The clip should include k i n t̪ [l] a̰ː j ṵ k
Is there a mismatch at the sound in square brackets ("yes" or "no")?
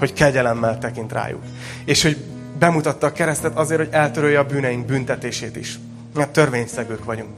yes